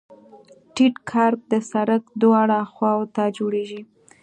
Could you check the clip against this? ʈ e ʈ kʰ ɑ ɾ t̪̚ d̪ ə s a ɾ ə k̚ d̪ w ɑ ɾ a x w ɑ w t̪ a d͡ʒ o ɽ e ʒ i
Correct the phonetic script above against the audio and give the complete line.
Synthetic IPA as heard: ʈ i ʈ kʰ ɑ ɾ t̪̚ d̪ ə s a ɾ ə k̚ d̪ w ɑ ɽ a x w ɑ w t̪ a d͡ʒ o ɽ e ʒ i

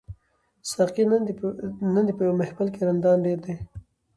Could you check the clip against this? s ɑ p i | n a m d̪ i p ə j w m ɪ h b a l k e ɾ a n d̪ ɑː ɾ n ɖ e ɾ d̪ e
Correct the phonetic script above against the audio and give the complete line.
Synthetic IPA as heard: s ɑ q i | n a n d̪ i p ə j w m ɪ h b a l k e ɾ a n d̪ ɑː n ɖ e ɾ d̪ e

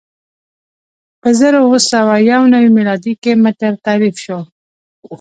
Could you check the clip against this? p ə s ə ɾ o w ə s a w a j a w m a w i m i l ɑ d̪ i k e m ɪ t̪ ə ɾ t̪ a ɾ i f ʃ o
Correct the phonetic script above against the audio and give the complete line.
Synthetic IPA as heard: p ə z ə ɾ o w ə s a w a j a w n a w i m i l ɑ d̪ i k e m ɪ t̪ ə ɾ t̪ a ɾ i f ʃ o

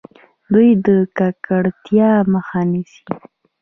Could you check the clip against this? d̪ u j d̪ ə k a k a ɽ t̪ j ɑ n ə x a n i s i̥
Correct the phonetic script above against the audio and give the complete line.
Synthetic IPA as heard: d̪ u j d̪ ə k a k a ɽ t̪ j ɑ m ə x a n i s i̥

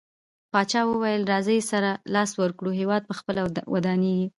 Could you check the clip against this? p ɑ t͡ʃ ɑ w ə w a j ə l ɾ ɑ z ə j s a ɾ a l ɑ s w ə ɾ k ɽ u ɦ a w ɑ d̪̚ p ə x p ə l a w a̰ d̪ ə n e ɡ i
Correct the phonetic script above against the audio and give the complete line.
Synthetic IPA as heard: p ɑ t͡ʃ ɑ w ə w a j ə l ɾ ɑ z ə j s a ɾ a l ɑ s w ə ɾ k ɽ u ɦ e w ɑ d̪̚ p ə x p ə l a w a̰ d̪ ɑ n e ɡ i

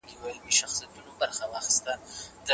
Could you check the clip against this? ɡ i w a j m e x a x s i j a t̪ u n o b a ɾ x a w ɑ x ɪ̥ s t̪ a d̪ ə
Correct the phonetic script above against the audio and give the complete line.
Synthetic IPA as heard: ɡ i w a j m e ʃ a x s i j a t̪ u n o b a ɾ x a w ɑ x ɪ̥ s t̪ a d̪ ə

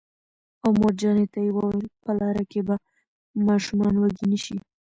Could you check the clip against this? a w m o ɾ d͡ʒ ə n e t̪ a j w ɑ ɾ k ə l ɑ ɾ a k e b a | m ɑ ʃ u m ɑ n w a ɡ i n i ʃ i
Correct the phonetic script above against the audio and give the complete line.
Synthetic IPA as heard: a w m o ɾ d͡ʒ ɑ n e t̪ a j w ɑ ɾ p ə l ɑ ɾ a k e b a | m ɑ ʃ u m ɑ n w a ɡ i n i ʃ i

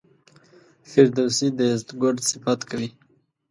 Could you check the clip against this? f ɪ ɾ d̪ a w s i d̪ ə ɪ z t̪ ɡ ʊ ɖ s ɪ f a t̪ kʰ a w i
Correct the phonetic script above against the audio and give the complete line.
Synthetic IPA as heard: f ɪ ɾ d̪ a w s i d̪ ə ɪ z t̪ ɡ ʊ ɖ s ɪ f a t̪ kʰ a w i

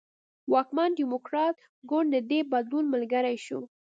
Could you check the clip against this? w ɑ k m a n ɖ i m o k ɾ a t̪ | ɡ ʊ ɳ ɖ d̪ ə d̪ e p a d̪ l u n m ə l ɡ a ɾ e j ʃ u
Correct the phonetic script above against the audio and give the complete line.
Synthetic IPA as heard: w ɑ k m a n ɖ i m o k ɾ ɑ t̪ | ɡ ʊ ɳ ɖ d̪ ə d̪ e b a d̪ l u n m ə l ɡ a ɾ a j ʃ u

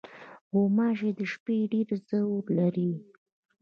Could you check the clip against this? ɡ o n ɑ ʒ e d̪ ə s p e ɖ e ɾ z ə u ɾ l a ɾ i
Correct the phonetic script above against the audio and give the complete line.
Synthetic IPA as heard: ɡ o m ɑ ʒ e d̪ ə ʃ p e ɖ e ɾ z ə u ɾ l a ɾ i

